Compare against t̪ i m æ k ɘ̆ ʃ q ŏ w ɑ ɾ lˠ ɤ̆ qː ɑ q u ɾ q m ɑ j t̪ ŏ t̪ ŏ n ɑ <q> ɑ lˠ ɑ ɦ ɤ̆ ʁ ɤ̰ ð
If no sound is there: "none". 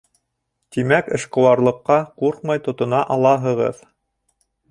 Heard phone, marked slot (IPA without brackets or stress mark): ʔ